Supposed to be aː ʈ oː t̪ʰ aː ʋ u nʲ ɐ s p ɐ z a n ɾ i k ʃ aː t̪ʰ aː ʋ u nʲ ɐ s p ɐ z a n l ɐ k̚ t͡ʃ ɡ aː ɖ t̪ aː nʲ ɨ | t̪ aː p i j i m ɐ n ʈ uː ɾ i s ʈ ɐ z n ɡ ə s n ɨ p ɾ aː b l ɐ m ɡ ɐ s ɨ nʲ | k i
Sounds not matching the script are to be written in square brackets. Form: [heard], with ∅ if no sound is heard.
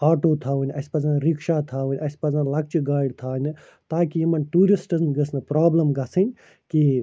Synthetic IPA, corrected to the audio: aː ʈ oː t̪ʰ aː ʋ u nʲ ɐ s p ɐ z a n ɾ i k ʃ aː t̪ʰ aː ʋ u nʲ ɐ s p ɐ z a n l ɐ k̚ t͡ʃ ɡ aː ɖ [t̪ʰ] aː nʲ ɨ | t̪ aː [k] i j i m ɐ n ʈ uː ɾ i s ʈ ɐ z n ɡ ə s n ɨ p ɾ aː b l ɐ m ɡ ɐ s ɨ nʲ | k i